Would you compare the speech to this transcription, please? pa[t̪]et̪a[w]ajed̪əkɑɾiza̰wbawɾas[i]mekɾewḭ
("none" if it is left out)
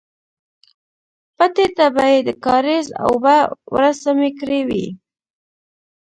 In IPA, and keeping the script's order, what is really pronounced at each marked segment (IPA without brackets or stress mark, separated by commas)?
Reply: t̪, b, a